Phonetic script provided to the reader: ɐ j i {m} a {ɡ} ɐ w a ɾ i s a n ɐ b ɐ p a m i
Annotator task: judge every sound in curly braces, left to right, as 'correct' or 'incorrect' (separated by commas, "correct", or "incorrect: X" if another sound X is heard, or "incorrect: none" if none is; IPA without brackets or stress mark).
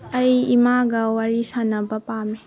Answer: correct, correct